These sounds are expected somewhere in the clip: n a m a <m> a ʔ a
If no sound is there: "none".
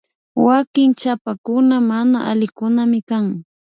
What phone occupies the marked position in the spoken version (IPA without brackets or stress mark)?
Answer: n